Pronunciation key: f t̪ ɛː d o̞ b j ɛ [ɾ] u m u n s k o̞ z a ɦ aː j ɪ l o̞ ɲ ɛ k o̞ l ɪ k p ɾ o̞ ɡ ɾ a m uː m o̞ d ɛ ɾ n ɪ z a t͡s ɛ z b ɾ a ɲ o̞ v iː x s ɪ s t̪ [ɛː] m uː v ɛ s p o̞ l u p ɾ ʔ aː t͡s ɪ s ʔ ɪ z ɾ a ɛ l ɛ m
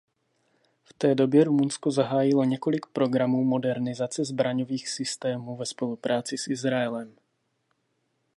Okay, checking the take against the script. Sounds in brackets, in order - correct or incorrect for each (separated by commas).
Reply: correct, correct